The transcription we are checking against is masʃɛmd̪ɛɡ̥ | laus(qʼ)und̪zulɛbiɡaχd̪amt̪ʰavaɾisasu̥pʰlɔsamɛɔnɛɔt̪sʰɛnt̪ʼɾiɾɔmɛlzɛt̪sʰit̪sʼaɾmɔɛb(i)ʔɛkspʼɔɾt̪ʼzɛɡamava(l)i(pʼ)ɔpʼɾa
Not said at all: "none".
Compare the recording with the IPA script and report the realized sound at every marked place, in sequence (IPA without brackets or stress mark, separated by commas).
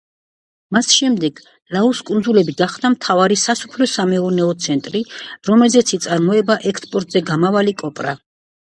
kʼ, a, l, kʼ